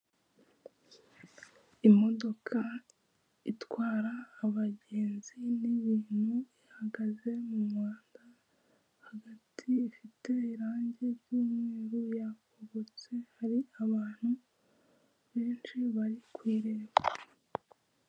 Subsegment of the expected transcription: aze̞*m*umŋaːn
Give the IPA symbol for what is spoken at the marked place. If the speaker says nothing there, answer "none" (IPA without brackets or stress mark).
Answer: m